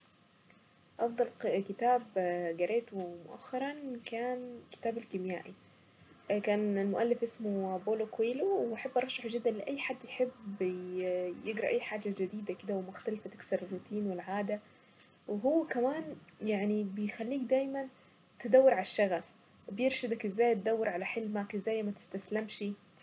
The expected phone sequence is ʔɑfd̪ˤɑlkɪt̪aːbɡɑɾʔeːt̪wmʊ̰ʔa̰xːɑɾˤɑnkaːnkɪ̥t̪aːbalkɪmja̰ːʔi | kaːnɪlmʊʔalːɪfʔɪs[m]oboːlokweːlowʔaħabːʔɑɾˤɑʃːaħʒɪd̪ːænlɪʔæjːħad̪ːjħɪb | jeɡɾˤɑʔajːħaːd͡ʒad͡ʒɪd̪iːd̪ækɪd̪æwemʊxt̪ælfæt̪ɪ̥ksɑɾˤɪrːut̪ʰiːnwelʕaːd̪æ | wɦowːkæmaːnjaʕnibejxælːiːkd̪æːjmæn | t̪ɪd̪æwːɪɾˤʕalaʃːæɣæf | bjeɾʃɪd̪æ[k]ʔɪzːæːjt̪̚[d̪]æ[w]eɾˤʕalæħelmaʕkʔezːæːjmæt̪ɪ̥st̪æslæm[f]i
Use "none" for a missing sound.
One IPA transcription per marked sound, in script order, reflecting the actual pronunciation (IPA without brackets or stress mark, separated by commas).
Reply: m, k, d̪, wː, ʃ